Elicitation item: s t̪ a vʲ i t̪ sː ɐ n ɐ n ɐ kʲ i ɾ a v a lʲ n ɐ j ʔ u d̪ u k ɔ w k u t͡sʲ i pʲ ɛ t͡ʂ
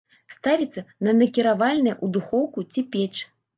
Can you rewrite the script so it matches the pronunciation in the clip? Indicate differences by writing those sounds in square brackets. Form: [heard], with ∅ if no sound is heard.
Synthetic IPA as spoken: s t̪ a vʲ i t̪ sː ɐ n ɐ n ɐ kʲ i ɾ a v a lʲ n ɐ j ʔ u d̪ u [x] ɔ w k u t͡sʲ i pʲ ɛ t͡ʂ